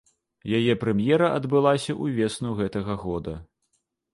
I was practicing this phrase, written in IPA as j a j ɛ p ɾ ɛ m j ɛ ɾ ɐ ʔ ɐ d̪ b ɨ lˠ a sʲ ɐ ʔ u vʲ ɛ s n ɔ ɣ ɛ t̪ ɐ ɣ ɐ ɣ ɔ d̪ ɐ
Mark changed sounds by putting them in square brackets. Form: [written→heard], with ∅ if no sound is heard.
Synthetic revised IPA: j a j ɛ p ɾ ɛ m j ɛ ɾ ɐ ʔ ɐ d̪ b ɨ lˠ a sʲ ɐ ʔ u vʲ ɛ s n [ɔ→u] ɣ ɛ t̪ ɐ ɣ ɐ ɣ ɔ d̪ ɐ